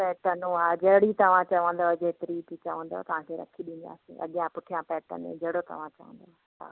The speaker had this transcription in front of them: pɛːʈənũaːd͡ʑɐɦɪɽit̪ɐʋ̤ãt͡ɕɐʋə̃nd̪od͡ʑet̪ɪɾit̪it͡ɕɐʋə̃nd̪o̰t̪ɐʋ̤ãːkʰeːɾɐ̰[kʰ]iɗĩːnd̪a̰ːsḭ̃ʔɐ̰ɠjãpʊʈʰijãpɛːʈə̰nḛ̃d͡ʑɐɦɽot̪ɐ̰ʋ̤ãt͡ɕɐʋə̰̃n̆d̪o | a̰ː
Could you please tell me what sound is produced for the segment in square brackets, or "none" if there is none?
kʰ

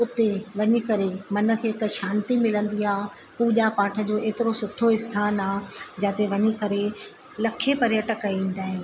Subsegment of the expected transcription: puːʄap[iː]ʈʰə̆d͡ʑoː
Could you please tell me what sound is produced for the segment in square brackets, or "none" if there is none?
aː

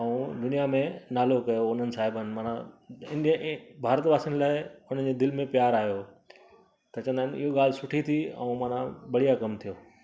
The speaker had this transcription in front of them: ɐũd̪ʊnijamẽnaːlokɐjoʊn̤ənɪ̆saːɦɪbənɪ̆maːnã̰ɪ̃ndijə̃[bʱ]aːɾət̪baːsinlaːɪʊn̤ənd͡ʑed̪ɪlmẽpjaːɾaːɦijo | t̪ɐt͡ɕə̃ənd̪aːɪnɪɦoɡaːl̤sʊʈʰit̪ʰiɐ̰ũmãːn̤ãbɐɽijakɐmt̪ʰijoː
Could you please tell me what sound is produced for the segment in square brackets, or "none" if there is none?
bʱ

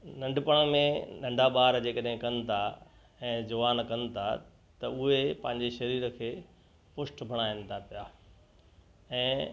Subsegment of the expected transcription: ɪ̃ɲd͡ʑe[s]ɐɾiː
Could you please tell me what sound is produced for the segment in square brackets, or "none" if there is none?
ʃ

